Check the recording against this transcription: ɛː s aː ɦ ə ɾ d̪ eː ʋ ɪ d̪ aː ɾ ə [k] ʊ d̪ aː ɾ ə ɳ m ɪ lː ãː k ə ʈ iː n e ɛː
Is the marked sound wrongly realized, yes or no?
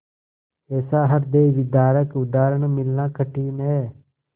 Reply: no